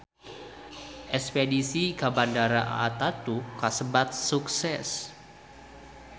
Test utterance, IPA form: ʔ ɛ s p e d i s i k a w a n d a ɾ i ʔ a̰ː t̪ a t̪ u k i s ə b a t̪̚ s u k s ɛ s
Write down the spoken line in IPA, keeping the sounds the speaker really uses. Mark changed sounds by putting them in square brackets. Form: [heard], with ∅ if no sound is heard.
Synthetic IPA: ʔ ɛ s p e d i s i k a [b] a n d a ɾ [a] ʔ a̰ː t̪ a t̪ u k [a] s ə b a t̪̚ s u k s ɛ s